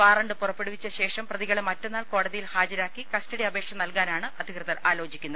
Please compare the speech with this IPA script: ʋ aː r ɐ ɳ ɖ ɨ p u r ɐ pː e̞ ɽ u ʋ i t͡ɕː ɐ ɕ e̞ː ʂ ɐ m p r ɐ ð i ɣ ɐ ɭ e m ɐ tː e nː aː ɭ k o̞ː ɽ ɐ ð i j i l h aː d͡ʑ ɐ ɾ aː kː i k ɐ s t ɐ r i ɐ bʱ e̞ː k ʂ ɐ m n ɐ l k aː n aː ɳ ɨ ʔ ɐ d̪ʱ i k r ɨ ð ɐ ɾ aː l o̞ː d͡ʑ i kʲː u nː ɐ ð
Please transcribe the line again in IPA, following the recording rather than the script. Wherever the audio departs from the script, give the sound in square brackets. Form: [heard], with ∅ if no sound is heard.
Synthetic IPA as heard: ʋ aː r ɐ ɳ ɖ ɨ p u r ɐ pː e̞ ɽ u ʋ i t͡ɕː ɐ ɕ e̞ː ʂ ɐ m p r ɐ ð i ɣ ɐ ɭ e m ɐ tː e nː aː ɭ k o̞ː ɽ ɐ ð i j i l h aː d͡ʑ ɐ ɾ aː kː i k ɐ s t ɐ [ɽ] i ɐ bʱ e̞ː k ʂ ɐ m n ɐ l k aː n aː ɳ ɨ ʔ ɐ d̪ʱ i k r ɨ ð ɐ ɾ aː l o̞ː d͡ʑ i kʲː u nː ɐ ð